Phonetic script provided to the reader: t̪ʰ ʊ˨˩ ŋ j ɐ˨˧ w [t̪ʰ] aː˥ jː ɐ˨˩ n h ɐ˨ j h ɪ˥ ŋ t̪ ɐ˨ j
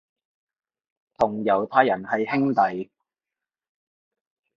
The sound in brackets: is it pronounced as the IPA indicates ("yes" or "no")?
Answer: yes